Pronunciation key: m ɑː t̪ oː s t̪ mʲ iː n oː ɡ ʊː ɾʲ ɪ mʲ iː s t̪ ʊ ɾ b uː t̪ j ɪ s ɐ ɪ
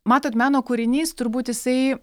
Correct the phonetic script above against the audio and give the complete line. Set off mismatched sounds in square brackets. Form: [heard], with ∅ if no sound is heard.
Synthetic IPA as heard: m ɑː t̪ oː [∅] t̪ mʲ [æː] n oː [k] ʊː ɾʲ ɪ [nʲ] iː s t̪ ʊ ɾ b uː t̪ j ɪ s ɐ ɪ